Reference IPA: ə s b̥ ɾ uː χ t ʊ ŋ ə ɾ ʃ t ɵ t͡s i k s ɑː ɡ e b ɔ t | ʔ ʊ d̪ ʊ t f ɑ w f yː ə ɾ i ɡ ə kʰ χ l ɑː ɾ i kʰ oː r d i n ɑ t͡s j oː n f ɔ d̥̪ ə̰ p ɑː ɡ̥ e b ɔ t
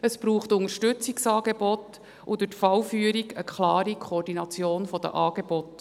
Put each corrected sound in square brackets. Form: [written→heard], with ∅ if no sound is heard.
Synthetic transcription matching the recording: ə s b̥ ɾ uː χ t ʊ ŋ ə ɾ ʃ t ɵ t͡s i k s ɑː ɡ e b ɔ t | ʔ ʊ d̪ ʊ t f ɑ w f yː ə ɾ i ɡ ə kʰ χ l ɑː ɾ i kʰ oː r d i n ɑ t͡s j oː n f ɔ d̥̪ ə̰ [p→ʔ] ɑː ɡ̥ e b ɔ t